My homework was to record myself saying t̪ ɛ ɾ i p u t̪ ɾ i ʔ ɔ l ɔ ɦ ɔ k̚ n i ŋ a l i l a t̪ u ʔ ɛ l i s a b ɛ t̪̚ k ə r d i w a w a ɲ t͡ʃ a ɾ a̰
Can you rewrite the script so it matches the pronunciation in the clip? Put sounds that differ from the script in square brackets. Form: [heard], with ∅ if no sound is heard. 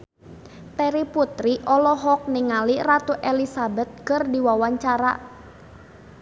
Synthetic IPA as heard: t̪ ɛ ɾ i p u t̪ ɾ i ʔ ɔ l ɔ ɦ ɔ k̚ n i ŋ a l i [r] a t̪ u ʔ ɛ l i s a b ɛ t̪̚ k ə r d i w a w a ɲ t͡ʃ a ɾ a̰